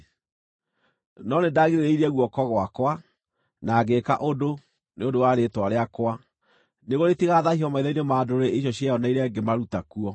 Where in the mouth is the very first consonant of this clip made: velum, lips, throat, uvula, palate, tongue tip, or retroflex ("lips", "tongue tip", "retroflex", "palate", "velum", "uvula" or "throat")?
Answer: tongue tip